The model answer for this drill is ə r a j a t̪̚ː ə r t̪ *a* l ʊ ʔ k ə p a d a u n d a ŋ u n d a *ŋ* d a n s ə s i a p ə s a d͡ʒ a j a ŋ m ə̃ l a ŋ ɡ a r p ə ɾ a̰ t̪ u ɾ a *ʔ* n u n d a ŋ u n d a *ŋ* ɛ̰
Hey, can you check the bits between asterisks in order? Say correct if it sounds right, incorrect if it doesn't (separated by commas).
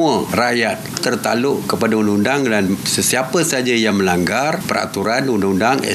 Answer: correct, correct, incorrect, correct